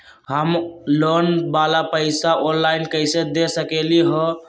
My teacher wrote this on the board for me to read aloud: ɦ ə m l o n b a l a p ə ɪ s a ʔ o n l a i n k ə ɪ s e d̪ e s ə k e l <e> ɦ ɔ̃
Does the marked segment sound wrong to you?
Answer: yes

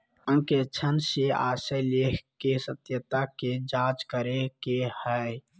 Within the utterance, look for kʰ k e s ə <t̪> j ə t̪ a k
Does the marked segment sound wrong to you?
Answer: no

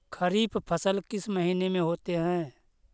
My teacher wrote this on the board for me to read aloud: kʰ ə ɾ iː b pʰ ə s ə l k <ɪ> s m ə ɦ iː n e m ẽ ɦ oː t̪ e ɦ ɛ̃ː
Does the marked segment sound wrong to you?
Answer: no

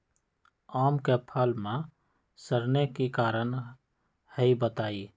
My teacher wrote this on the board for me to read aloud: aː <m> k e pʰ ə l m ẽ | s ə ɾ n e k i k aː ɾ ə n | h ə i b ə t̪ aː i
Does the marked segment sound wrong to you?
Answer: no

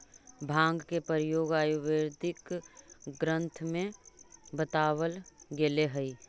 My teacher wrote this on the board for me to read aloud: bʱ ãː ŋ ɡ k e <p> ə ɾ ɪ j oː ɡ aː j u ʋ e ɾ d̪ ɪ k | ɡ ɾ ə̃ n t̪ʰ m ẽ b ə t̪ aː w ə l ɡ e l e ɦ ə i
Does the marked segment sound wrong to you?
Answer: no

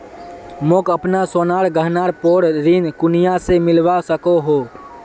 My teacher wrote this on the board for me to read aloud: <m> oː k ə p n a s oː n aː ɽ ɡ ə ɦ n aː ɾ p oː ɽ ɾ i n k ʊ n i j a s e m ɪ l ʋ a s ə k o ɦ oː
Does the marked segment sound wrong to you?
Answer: no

